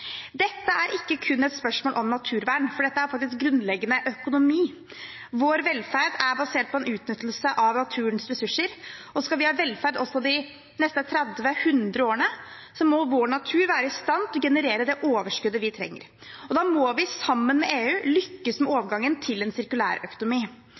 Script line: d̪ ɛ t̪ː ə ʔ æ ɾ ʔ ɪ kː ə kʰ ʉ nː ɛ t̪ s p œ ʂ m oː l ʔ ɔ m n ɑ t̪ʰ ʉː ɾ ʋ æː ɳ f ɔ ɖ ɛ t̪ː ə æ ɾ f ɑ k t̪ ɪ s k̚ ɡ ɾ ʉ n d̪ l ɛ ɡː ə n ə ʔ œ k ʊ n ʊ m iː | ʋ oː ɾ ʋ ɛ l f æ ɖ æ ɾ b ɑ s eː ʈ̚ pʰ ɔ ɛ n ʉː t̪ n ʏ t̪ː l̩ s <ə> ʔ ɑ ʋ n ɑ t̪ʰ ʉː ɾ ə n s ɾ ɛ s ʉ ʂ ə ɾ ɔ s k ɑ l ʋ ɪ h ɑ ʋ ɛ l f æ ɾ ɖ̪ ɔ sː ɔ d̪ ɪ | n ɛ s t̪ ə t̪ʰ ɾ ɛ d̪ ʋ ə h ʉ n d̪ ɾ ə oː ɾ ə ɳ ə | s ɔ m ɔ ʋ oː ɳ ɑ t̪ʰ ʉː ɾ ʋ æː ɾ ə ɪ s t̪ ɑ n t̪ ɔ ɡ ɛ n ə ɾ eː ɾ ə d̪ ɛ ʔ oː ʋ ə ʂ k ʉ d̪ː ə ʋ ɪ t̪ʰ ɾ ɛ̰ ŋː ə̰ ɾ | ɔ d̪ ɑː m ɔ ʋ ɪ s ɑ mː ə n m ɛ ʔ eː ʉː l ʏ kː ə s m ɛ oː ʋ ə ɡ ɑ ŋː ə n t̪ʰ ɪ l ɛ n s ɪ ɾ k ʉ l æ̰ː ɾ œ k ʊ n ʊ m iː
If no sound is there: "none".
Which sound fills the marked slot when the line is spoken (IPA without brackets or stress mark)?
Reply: ə